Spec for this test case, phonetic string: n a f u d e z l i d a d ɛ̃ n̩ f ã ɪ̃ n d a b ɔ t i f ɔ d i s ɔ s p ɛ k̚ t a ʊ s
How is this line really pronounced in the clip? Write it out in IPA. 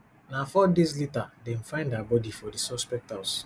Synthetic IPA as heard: n a f ɔ d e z l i t a d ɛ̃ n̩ f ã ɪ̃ n d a b ɔ d i f ɔ d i s ɔ s p ɛ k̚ t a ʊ s